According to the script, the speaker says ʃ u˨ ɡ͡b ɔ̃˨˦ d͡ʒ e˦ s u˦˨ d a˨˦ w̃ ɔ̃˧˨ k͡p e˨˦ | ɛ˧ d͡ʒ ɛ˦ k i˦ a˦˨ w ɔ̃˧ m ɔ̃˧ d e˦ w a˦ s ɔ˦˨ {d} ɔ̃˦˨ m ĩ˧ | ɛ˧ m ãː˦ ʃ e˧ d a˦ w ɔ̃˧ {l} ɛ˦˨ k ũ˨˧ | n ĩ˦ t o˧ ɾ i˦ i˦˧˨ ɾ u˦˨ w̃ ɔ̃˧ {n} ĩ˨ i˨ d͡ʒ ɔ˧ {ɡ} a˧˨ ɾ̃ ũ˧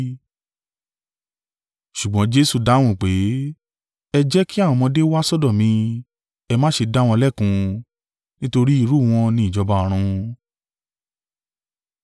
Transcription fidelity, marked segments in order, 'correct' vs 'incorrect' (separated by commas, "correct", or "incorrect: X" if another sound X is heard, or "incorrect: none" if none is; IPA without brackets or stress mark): correct, correct, correct, incorrect: b